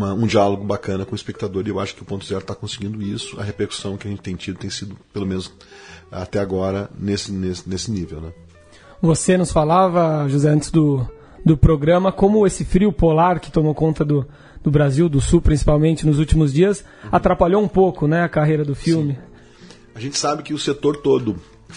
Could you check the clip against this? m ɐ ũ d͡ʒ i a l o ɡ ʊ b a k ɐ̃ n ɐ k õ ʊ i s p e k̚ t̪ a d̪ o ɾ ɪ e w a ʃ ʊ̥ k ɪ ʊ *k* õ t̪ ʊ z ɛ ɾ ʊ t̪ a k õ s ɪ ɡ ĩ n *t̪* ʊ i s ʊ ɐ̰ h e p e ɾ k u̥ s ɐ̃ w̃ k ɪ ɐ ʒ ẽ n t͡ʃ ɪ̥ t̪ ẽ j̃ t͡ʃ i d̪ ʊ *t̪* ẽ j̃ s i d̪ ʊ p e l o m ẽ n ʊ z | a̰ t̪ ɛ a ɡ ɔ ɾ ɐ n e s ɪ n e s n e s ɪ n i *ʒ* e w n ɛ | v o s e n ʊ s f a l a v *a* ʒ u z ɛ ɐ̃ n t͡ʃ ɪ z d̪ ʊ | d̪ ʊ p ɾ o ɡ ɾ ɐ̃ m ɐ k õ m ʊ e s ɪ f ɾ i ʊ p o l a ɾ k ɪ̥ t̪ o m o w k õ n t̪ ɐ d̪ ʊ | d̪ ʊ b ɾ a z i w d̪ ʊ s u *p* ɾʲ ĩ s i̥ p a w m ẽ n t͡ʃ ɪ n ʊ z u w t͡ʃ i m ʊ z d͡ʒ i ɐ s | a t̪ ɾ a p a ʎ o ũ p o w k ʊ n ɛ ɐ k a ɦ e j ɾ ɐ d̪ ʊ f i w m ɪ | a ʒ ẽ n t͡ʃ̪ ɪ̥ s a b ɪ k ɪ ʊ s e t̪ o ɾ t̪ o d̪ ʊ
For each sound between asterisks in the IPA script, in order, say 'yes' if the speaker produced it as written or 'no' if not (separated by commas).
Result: no, no, yes, no, no, yes